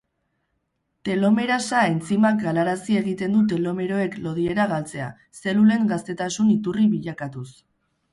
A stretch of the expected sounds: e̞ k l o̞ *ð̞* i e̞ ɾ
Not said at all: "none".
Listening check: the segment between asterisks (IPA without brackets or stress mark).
ð̞